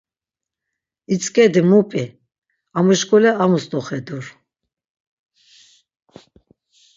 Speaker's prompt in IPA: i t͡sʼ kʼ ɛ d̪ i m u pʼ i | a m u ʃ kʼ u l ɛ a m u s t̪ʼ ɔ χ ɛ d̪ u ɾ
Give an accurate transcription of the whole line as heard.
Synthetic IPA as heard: i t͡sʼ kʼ ɛ d̪ i m u pʼ i | a m u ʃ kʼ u l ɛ a m u s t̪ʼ ɔ χ ɛ d̪ u ɾ